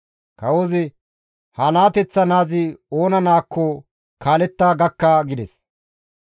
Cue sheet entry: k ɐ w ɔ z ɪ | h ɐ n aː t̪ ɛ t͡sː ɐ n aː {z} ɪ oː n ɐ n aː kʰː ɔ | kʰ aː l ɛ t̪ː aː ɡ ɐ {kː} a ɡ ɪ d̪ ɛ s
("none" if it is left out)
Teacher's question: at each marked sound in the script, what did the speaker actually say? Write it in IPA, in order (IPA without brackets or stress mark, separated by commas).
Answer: z, kː